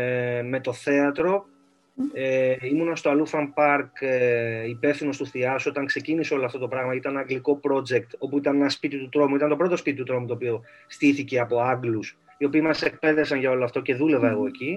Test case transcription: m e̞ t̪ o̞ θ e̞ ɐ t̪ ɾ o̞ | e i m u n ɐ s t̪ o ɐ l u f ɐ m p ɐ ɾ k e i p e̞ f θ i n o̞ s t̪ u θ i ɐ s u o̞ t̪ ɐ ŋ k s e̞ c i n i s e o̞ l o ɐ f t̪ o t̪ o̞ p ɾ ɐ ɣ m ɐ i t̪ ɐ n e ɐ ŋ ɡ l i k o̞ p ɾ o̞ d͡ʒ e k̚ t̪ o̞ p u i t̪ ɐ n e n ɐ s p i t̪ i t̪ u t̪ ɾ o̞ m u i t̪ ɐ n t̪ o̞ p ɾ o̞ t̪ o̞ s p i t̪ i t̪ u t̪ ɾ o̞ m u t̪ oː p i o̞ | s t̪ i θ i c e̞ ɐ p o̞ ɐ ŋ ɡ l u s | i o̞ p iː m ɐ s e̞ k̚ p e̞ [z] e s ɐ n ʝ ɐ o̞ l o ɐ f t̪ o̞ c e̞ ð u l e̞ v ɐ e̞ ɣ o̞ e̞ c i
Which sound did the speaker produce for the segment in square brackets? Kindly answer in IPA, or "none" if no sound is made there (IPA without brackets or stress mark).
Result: ð